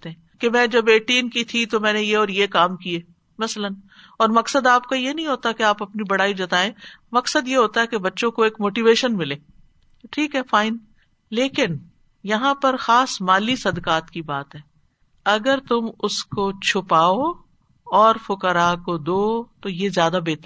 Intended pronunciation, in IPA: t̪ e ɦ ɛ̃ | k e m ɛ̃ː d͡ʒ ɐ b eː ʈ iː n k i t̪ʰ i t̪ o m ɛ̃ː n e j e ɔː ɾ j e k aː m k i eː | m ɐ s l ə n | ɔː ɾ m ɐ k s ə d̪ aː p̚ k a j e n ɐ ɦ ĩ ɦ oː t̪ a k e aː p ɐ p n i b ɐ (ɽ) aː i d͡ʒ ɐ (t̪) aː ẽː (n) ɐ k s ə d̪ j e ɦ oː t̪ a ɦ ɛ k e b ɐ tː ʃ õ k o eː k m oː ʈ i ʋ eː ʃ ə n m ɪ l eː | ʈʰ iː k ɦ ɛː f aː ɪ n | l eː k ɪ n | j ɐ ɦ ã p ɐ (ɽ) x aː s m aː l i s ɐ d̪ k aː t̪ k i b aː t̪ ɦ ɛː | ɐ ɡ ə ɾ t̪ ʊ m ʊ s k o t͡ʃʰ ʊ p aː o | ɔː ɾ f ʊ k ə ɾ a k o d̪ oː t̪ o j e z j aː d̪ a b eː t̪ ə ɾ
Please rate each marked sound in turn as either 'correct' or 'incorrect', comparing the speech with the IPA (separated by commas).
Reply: correct, correct, incorrect, incorrect